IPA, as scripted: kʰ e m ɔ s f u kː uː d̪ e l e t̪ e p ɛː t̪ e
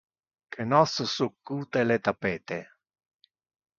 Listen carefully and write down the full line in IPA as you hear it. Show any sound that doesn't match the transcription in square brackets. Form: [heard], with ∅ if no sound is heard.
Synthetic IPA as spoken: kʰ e [n] ɔ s [s] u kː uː [t̪] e l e t̪ [a] p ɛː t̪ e